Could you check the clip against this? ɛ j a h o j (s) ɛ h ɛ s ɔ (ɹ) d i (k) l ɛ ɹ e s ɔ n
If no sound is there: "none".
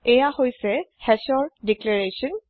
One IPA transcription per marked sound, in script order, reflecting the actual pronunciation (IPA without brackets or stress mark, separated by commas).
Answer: s, ɹ, k